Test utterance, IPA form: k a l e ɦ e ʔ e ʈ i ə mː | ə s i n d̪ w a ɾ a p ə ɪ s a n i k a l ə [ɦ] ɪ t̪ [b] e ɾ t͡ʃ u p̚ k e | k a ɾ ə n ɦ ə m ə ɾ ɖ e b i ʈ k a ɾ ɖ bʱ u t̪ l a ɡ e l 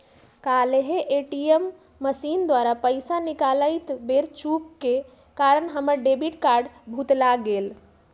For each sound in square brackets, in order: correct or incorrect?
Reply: incorrect: none, correct

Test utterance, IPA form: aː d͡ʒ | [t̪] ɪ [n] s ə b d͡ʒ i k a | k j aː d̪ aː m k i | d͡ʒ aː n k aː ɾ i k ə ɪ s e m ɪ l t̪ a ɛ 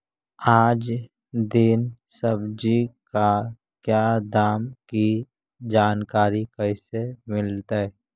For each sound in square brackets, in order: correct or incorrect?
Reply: incorrect: d̪, correct

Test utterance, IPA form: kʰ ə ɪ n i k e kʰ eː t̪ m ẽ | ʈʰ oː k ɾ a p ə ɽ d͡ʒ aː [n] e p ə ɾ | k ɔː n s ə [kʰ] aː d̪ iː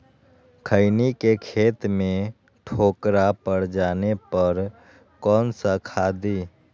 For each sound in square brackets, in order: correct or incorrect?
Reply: correct, correct

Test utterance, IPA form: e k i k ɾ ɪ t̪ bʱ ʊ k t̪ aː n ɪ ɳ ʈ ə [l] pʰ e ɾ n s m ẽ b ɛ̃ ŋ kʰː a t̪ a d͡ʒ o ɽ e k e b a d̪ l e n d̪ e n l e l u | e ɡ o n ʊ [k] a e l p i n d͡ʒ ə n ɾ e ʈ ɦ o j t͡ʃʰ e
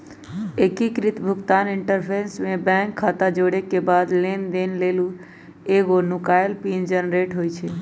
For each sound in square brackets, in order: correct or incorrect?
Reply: incorrect: ɾ, correct

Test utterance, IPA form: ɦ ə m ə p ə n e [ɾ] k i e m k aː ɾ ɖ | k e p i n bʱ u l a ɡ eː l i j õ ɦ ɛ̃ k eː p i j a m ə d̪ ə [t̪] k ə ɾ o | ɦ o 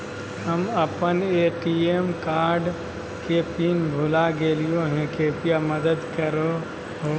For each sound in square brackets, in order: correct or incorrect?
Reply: incorrect: none, incorrect: d̪

